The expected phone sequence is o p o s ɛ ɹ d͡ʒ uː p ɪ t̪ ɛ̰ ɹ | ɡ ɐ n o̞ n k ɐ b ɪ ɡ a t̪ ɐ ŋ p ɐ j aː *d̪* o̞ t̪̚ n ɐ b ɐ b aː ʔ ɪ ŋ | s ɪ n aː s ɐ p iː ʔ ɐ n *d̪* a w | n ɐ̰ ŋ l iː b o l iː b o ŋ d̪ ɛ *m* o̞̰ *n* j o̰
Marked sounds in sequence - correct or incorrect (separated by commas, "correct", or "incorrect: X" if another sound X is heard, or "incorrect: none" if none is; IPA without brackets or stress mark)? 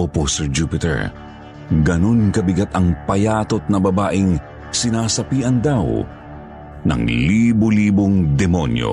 incorrect: t̪, correct, correct, correct